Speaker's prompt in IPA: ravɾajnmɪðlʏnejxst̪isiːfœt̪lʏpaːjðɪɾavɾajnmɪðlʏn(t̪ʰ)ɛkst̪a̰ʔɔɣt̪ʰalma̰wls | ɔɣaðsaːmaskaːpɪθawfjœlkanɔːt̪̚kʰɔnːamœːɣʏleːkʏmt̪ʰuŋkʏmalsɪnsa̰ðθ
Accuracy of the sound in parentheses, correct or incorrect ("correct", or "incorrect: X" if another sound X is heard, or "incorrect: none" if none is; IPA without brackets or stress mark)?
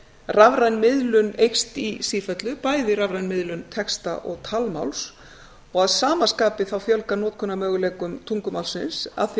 correct